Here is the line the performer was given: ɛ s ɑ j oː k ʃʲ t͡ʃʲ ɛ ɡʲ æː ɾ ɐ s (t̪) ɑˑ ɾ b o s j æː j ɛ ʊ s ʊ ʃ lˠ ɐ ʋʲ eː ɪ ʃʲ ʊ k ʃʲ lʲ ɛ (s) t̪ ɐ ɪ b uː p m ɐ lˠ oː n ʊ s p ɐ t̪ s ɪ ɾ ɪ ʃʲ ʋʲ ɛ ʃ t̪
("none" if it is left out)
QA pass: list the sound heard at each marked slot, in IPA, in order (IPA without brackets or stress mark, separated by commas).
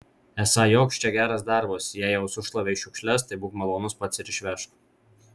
d̪, s